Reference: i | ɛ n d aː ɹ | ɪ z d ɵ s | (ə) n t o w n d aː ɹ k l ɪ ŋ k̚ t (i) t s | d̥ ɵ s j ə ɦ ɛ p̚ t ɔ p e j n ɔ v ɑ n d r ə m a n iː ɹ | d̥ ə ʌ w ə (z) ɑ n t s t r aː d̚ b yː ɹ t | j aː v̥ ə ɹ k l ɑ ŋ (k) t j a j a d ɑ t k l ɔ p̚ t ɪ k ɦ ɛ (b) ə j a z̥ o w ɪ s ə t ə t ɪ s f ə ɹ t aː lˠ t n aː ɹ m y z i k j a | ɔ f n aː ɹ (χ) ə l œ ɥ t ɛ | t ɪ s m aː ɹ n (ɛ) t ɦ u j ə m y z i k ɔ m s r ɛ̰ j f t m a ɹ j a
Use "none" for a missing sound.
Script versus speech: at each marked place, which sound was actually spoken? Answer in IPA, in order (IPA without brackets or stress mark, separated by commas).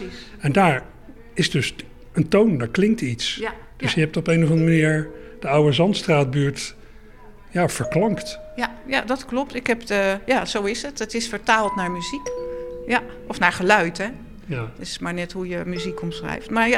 ə, i, z, k, p, χ, ɛ